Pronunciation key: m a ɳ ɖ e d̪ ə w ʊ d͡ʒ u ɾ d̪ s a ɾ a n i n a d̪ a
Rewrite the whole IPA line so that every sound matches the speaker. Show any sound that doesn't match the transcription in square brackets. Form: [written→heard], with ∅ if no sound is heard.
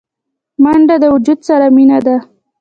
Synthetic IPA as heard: m a ɳ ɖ [e→a] d̪ ə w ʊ d͡ʒ u [ɾ→∅] d̪ s a ɾ a [n→m] i n a d̪ a